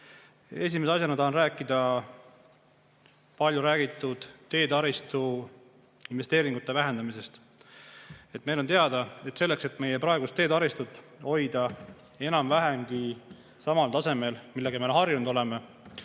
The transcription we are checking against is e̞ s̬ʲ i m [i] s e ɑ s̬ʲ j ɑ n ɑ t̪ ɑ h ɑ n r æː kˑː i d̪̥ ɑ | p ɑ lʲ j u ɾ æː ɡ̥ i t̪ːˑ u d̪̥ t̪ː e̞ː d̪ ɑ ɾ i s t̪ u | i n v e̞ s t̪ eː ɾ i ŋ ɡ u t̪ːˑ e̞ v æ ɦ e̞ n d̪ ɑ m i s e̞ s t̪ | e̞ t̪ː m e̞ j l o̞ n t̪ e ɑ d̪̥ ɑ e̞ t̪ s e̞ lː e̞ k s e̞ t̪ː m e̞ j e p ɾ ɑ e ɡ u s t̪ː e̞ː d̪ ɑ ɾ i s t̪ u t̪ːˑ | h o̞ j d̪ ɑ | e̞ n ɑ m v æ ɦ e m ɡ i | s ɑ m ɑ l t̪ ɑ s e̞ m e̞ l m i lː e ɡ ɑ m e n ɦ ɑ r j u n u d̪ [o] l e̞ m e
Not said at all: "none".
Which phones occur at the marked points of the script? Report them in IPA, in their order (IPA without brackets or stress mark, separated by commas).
e, o